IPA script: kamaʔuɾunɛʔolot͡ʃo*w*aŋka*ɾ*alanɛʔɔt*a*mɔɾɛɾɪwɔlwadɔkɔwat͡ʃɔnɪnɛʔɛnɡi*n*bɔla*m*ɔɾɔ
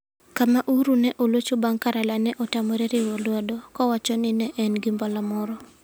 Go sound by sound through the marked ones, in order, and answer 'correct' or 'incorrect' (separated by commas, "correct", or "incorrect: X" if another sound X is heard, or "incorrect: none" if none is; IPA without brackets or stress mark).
incorrect: b, correct, correct, incorrect: m, correct